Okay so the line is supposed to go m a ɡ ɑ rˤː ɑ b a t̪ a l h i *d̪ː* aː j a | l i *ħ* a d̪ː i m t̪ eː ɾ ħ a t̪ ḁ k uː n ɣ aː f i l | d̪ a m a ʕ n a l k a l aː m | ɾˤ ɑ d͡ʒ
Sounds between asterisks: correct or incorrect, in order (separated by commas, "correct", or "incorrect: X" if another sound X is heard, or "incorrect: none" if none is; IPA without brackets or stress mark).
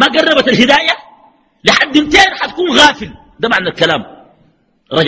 incorrect: d̪, correct